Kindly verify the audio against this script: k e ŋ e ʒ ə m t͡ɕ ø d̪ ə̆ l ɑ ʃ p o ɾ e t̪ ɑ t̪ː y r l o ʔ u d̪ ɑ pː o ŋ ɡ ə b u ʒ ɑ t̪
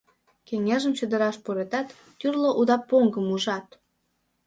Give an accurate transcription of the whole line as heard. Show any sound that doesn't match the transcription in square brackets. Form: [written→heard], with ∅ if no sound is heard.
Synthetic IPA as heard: k e ŋ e ʒ ə m t͡ɕ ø d̪ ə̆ [l→ɾ] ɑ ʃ p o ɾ e t̪ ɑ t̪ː y r l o ʔ u d̪ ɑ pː o ŋ ɡ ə [b→m] u ʒ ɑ t̪